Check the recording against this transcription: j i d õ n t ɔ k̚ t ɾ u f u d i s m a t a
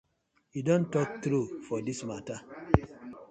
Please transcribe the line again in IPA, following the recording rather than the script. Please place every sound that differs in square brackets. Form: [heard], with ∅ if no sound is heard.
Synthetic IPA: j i d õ n t ɔ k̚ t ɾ u f [ɔ] d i s m a t a